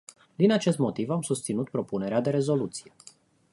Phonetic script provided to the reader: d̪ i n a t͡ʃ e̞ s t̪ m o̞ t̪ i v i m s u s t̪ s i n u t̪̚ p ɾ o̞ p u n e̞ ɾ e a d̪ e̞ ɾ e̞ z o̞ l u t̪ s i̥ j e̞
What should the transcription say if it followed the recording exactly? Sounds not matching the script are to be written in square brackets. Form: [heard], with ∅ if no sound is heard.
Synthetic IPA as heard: d̪ i n a t͡ʃ e̞ s t̪ m o̞ t̪ i v [a] m s u s t̪ s i n u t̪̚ p ɾ o̞ p u n e̞ ɾ e a d̪ e̞ ɾ e̞ z o̞ l u t̪ s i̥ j e̞